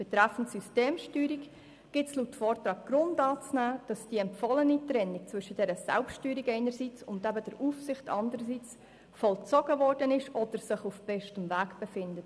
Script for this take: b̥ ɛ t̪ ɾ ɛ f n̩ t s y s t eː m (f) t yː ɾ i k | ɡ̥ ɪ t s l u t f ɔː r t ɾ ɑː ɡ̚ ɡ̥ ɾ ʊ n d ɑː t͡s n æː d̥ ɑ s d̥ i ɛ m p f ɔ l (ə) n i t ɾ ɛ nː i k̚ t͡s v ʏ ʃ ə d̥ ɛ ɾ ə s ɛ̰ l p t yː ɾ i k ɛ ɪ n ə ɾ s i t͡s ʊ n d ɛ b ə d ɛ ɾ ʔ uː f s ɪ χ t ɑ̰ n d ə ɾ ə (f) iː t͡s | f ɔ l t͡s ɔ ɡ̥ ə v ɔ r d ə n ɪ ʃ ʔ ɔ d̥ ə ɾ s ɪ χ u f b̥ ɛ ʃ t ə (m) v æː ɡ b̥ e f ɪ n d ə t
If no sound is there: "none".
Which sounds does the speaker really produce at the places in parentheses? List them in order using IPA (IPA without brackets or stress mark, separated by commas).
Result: ʃ, ə, s, m